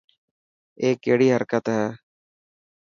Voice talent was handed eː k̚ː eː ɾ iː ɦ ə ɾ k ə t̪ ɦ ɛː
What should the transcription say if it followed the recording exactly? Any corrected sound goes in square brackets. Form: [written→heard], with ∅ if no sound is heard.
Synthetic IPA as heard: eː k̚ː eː [ɾ→ɽ] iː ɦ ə ɾ k ə t̪ ɦ ɛː